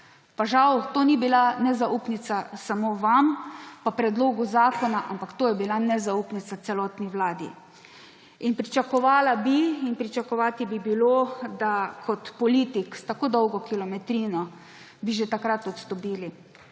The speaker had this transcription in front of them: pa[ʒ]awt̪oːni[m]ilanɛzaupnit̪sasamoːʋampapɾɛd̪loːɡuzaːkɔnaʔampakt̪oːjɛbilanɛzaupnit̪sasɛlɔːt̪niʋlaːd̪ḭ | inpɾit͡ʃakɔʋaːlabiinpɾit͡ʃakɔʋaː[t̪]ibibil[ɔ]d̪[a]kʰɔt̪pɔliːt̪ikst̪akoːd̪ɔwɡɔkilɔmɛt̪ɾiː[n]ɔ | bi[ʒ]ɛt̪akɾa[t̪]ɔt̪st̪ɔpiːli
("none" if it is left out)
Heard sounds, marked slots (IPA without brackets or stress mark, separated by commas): ʒ, b, t̪, o, a, n, ʒ, t̪